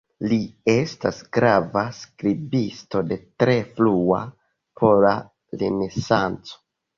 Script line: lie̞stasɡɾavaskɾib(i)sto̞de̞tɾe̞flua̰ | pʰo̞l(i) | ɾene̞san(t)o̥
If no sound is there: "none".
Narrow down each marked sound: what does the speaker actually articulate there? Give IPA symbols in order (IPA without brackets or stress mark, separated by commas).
i, a, t͡s